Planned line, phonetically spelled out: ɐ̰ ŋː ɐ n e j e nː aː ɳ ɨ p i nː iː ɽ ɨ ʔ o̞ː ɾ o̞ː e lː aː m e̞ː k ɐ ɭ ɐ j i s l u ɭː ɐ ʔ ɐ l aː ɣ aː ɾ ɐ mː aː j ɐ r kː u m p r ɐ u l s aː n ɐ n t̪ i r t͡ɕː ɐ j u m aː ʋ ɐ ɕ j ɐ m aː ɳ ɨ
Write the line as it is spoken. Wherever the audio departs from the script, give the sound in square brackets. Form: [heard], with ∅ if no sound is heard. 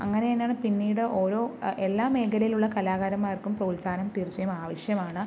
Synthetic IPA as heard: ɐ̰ ŋː ɐ n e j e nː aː ɳ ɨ p i nː iː ɽ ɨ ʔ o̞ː ɾ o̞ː e lː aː m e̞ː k ɐ [l] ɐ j i [∅] l u ɭː ɐ [k] ɐ l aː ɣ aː ɾ ɐ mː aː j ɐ r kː u m p r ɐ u l s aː n ɐ [m] t̪ i r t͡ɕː ɐ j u m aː ʋ ɐ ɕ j ɐ m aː ɳ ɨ